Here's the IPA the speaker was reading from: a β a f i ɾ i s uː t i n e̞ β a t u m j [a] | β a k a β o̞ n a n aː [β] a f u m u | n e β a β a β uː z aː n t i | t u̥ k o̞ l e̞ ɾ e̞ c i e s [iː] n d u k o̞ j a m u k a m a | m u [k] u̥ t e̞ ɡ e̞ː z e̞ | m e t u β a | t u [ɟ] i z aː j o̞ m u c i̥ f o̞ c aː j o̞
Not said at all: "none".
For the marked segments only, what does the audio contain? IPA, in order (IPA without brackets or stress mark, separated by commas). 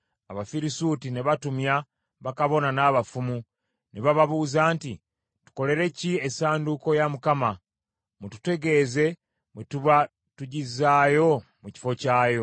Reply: a, β, aː, t, ɟ